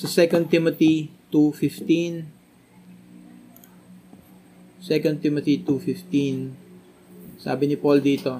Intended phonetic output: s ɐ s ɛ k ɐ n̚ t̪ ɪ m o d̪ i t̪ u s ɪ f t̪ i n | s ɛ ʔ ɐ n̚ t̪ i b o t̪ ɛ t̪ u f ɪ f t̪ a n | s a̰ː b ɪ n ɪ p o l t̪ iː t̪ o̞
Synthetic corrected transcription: s ɐ s ɛ k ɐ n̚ t̪ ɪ m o t̪ i t̪ u f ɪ f t̪ i n | s ɛ k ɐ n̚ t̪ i m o t̪ i t̪ u f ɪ f t̪ i n | s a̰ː b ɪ n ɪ p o l d̪ iː t̪ o̞